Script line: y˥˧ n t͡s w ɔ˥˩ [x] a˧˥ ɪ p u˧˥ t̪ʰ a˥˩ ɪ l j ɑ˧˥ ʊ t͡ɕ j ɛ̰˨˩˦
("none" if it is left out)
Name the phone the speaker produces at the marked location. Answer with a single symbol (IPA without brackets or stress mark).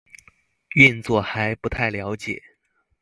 x